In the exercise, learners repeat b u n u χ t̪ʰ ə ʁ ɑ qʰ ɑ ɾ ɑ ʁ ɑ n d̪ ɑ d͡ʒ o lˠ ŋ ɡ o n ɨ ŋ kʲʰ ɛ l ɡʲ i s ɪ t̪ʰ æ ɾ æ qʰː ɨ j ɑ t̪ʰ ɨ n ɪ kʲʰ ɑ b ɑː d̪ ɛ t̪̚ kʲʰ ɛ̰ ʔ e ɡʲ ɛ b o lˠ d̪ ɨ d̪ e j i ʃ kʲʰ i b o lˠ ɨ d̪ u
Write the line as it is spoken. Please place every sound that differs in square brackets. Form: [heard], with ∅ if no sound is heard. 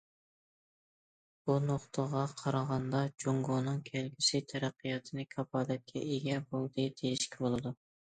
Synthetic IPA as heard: b u n [o] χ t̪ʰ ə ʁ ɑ qʰ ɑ ɾ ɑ ʁ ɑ n d̪ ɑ d͡ʒ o [∅] ŋ ɡ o n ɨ ŋ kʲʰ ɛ l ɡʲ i s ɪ t̪ʰ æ ɾ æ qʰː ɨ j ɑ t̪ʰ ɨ n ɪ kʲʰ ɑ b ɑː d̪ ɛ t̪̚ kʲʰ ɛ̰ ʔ e ɡʲ ɛ b o lˠ d̪ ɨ d̪ e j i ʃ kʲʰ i b o lˠ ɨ d̪ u